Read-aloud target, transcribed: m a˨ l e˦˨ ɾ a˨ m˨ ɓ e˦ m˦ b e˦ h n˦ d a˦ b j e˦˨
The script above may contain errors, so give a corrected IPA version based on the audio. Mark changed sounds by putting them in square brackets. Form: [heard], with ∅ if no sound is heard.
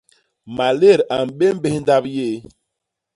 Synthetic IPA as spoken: m a˨ l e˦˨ ɾ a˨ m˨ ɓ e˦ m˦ b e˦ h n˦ d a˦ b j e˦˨